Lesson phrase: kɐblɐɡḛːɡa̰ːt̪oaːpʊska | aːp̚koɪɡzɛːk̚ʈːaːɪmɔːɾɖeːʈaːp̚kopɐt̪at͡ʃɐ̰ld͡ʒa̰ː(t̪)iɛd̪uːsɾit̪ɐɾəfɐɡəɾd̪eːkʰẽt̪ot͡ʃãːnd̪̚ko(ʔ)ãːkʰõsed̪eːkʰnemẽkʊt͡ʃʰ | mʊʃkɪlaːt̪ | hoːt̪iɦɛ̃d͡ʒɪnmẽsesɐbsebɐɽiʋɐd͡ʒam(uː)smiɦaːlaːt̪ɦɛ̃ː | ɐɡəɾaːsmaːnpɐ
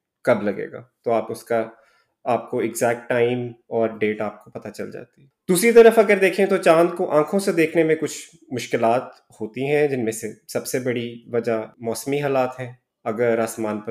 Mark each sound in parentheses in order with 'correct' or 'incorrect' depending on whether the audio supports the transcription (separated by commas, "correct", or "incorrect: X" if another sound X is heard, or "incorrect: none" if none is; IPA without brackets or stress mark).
correct, correct, incorrect: ɔː